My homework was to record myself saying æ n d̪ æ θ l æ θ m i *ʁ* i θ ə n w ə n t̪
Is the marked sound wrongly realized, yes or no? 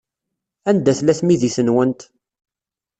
yes